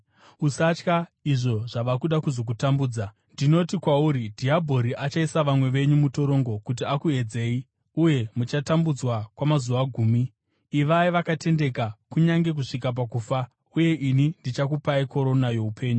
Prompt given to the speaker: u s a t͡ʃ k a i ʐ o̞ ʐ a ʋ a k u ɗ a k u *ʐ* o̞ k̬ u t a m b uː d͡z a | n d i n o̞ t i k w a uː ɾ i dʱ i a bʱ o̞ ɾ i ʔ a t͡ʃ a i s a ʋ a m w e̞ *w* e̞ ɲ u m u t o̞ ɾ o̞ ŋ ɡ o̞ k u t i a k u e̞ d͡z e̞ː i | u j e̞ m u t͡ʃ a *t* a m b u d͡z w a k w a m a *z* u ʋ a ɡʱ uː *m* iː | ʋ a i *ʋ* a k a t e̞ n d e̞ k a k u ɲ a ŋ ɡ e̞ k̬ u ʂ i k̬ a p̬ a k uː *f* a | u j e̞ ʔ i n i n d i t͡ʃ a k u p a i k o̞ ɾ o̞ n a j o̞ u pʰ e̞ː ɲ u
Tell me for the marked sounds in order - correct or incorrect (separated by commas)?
incorrect, incorrect, correct, correct, correct, correct, correct